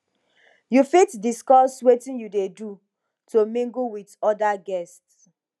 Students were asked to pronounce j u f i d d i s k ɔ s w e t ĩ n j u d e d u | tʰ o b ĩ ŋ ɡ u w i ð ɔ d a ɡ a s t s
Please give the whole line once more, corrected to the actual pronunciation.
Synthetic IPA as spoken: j u f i t d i s k ɔ s w e t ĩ n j u d e d u | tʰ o m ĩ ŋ ɡ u w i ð ɔ d a ɡ ɛ s t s